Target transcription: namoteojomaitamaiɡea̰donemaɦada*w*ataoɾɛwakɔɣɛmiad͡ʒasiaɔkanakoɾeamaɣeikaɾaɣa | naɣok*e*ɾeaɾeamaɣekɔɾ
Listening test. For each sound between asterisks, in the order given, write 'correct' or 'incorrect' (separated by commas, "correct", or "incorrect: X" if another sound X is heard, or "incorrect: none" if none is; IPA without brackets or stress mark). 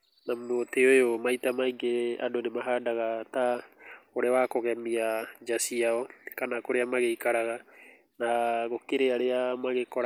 incorrect: ɣ, correct